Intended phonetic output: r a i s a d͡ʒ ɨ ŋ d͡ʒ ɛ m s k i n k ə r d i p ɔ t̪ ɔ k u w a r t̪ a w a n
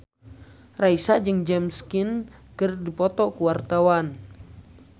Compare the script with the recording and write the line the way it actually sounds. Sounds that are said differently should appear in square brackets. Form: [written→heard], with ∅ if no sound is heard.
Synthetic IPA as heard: r a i s a d͡ʒ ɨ ŋ d͡ʒ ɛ m s k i n k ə r d i p ɔ t̪ ɔ k u w a r t̪ a w a n